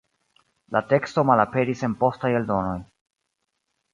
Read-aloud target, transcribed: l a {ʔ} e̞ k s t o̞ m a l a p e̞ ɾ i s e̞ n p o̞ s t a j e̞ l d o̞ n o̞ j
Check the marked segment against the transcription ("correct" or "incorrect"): incorrect